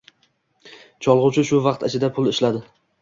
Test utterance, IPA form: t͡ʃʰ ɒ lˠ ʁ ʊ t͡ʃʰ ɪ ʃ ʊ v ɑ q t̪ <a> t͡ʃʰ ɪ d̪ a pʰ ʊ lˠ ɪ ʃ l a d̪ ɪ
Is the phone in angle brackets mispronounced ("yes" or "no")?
no